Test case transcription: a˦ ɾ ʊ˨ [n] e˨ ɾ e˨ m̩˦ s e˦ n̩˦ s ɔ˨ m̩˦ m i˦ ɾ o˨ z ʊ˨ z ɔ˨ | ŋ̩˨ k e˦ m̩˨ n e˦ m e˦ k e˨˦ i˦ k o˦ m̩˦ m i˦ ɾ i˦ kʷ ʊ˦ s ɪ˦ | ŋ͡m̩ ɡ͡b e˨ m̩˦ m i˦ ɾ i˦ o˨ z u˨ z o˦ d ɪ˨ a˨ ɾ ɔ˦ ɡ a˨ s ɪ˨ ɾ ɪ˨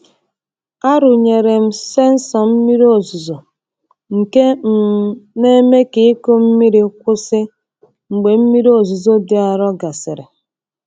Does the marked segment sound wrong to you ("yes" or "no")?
yes